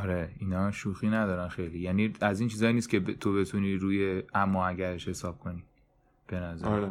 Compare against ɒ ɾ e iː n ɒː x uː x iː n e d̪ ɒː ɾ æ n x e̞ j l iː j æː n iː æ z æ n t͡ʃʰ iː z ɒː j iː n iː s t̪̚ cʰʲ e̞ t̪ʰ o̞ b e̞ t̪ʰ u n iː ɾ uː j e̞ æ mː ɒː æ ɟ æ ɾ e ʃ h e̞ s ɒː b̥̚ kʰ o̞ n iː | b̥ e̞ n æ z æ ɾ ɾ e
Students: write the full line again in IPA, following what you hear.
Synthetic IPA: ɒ ɾ e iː n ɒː ʃ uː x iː n æ d̪ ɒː ɾ æ n x e̞ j l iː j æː n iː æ z i n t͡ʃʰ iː z ɒː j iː n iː s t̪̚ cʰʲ e̞ t̪ʰ o̞ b e̞ t̪ʰ u n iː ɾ uː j e̞ æ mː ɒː æ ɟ æ ɾ e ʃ h e̞ s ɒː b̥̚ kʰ o̞ n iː | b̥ e̞ n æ z æ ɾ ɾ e